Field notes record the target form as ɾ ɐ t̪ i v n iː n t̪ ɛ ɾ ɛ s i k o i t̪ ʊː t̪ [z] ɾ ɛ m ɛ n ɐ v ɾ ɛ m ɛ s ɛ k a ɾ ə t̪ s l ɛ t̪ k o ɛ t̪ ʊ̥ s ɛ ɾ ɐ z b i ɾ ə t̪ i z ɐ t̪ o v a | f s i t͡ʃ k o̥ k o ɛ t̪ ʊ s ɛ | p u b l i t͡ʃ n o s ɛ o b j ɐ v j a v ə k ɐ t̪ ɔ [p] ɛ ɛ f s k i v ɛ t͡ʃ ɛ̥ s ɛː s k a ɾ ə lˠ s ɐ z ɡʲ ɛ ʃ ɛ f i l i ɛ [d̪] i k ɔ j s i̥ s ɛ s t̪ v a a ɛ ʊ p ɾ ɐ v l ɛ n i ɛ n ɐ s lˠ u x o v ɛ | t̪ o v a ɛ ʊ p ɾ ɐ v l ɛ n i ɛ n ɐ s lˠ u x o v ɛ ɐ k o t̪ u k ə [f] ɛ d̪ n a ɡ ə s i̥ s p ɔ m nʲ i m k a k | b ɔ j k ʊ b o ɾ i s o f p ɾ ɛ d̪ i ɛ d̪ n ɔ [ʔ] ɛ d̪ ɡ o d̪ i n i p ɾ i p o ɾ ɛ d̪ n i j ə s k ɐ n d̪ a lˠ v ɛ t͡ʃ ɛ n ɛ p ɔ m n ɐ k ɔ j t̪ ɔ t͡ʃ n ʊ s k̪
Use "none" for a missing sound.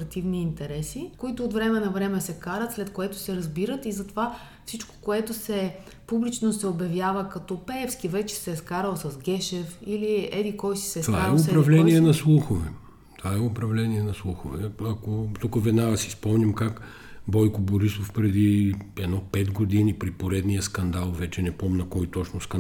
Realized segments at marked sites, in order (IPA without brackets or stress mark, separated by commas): v, p, d̪, v, p